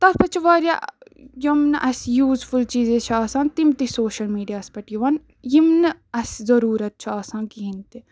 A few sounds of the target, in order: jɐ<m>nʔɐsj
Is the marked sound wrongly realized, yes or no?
no